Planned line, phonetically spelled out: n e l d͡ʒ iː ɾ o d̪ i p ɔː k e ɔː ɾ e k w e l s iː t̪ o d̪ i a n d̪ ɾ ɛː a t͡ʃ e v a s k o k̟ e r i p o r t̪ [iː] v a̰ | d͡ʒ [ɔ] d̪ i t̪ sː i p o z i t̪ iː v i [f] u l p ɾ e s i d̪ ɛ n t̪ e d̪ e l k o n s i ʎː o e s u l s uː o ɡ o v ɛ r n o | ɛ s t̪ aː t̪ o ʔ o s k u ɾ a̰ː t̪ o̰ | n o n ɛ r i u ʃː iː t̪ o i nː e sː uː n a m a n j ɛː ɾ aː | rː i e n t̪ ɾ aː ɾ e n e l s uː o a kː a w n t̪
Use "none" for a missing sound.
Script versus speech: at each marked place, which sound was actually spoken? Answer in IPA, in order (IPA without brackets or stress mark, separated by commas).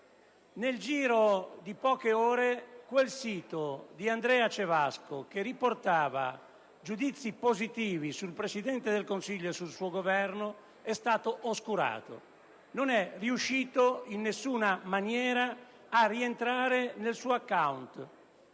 aː, u, s